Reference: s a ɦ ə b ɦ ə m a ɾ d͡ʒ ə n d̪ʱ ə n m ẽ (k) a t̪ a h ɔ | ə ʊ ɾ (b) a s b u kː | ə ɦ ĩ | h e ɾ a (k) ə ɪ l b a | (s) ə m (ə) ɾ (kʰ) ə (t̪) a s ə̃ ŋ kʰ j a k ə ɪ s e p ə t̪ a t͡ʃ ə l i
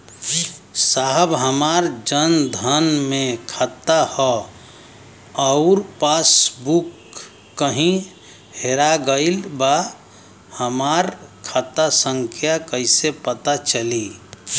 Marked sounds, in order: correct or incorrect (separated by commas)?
incorrect, incorrect, incorrect, incorrect, incorrect, correct, correct